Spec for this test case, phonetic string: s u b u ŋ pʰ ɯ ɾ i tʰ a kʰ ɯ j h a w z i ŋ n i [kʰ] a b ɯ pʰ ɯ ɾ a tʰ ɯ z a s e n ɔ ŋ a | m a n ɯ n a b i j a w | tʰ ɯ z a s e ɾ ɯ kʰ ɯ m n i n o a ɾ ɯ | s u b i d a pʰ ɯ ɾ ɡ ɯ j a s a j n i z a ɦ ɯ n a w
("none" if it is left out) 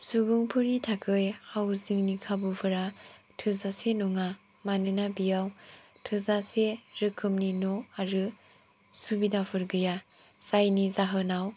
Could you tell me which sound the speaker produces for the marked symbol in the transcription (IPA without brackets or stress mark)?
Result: kʰ